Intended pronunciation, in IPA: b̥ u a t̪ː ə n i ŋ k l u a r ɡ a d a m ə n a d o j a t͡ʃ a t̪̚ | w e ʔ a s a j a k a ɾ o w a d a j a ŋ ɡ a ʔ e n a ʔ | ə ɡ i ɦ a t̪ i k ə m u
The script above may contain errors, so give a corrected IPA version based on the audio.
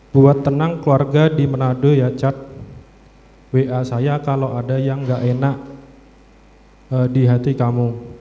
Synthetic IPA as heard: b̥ u a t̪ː ə n a ŋ k l u a r ɡ a d i m ə n a d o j a t͡ʃ a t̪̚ | w e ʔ a s a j a k a l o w a d a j a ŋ ɡ a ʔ e n a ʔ | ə d i ɦ a t̪ i k a m u